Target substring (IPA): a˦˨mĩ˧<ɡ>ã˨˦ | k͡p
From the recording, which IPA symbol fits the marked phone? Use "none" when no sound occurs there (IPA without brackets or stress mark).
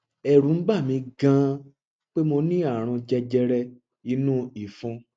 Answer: ɡ